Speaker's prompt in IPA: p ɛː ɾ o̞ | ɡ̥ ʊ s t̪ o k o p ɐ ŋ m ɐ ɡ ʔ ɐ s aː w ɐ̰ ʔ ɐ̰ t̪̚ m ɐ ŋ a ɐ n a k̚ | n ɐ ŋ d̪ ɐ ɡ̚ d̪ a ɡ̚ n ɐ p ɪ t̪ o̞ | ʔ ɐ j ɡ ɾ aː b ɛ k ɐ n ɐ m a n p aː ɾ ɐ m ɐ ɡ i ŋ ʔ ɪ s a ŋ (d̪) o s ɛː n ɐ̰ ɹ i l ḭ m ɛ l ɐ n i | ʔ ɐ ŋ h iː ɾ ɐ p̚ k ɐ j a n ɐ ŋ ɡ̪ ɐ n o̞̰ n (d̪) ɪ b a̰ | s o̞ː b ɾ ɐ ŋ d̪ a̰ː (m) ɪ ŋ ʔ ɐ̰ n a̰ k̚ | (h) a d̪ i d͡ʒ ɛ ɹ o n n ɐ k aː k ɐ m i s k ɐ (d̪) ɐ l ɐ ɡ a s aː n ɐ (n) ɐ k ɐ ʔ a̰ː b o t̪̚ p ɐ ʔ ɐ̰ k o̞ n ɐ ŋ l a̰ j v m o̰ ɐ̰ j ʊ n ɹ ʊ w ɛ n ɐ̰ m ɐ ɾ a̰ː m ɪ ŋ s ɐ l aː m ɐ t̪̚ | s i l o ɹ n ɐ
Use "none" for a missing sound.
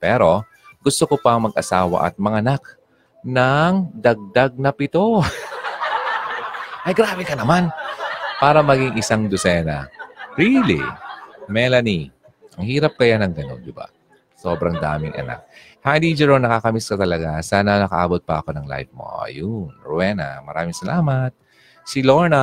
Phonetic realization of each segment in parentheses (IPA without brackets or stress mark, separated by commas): d̪, d̪, m, h, t̪, n